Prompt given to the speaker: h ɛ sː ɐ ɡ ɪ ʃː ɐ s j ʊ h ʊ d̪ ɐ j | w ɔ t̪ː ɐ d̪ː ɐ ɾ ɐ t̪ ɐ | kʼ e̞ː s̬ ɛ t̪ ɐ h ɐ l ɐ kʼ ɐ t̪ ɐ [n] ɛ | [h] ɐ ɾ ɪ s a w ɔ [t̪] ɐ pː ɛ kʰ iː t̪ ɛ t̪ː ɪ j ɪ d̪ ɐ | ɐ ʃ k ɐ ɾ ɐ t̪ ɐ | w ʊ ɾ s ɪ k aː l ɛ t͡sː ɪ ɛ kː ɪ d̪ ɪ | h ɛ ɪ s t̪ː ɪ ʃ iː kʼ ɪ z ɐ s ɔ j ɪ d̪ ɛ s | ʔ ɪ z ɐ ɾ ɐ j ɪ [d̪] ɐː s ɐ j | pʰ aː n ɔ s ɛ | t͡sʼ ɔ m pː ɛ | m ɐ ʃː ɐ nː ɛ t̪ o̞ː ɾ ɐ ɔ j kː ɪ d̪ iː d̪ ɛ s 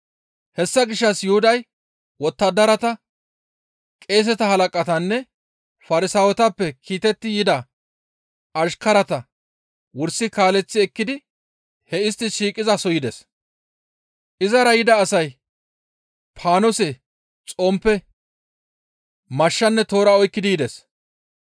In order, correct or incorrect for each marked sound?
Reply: incorrect, incorrect, correct, correct

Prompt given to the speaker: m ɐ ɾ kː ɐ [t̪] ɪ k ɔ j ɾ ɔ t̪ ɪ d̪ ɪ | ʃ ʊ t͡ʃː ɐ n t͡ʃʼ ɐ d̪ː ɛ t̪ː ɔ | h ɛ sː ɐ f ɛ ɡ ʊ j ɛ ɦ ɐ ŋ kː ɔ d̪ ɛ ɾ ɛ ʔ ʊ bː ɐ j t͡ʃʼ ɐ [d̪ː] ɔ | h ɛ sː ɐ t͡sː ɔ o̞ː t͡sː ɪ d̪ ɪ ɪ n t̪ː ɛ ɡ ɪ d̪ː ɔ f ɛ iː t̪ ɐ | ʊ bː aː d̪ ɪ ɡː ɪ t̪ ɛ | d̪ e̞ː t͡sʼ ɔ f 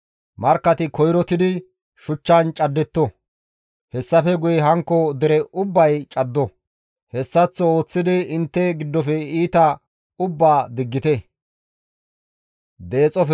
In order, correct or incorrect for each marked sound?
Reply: correct, correct

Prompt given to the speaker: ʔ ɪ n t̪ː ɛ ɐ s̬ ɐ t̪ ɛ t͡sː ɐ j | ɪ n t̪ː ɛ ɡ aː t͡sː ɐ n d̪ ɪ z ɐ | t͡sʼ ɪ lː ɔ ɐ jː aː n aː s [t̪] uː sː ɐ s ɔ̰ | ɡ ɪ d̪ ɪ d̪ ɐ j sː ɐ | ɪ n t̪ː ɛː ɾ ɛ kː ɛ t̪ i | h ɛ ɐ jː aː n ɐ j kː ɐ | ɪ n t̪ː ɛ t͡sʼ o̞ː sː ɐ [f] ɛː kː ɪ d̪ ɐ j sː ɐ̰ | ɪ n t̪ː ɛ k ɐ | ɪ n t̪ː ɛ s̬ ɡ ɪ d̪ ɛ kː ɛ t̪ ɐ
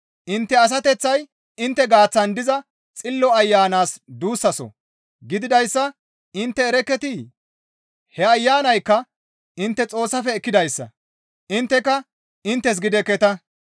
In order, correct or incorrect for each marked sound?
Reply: incorrect, correct

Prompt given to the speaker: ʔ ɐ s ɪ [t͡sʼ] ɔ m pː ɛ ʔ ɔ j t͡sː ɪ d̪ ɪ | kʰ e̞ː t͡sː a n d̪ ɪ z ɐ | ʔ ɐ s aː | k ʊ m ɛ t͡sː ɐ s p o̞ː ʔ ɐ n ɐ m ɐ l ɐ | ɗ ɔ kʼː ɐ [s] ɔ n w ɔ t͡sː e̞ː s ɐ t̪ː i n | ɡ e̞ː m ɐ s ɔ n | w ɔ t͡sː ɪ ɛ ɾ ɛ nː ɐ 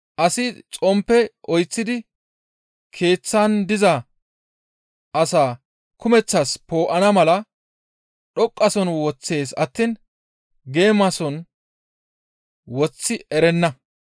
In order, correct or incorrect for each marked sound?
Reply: correct, correct

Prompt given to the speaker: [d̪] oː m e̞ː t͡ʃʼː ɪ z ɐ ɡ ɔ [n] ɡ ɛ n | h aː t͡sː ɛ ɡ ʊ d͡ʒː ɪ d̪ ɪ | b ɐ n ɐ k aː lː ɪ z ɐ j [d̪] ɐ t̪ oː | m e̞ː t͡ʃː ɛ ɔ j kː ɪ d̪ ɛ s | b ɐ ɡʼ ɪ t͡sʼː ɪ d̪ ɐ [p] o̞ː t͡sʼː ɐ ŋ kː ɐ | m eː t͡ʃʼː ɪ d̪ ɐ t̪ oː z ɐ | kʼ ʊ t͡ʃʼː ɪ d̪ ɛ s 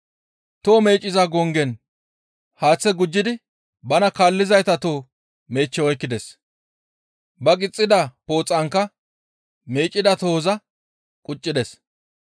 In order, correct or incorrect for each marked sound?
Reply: incorrect, incorrect, incorrect, correct

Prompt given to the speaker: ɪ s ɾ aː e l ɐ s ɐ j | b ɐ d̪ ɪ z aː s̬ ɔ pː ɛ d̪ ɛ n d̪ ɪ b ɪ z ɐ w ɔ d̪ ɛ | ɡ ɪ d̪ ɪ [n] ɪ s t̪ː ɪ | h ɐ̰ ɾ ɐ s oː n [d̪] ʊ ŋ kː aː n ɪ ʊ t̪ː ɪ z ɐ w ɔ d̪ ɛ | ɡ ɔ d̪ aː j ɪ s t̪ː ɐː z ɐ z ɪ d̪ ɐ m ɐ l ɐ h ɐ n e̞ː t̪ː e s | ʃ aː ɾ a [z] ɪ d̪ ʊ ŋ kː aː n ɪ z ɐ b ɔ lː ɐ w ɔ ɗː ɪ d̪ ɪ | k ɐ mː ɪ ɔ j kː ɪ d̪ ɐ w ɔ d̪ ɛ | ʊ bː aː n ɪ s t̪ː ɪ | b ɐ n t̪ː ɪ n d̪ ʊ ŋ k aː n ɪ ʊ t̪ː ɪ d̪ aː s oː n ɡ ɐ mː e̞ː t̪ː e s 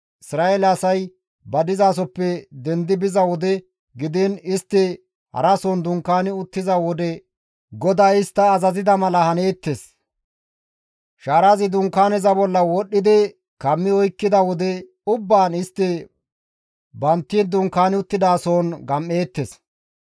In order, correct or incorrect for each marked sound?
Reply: correct, correct, correct

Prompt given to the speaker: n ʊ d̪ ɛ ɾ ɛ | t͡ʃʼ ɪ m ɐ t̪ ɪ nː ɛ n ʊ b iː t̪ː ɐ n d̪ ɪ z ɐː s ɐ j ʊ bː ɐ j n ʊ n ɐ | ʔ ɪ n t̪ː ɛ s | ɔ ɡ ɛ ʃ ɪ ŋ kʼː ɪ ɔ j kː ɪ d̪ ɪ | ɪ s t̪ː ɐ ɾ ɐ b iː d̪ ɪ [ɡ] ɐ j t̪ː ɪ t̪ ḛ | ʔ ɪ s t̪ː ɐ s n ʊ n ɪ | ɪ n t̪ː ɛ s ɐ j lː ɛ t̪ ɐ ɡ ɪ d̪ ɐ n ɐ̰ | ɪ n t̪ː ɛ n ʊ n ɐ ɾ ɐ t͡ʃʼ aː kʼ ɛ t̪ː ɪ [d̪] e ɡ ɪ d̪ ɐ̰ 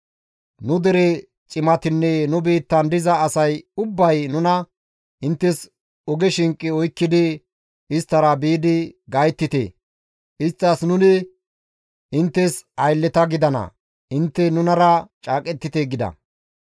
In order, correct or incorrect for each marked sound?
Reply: correct, incorrect

